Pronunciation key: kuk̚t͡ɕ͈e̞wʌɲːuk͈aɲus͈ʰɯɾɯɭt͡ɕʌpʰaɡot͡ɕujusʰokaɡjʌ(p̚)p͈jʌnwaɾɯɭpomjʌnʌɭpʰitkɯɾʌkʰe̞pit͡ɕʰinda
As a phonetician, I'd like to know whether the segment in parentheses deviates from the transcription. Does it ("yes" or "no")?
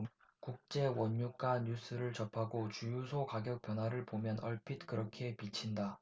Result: yes